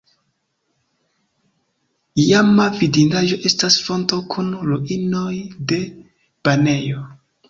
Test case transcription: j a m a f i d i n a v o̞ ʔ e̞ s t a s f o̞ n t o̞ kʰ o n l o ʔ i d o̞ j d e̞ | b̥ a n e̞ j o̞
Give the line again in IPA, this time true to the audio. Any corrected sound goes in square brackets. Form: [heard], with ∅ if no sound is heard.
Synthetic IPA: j a m a [v] i d i n a [ʒ] o̞ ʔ e̞ s t a s f o̞ n t o̞ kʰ [u] n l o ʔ i [n] o̞ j d e̞ | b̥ a n e̞ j o̞